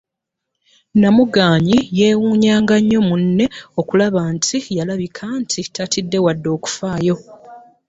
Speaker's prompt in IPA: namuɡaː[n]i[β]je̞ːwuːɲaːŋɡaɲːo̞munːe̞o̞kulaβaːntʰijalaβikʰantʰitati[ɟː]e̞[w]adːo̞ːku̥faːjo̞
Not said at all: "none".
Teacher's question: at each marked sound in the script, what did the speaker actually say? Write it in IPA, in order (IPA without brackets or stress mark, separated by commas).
ɲ, none, dː, w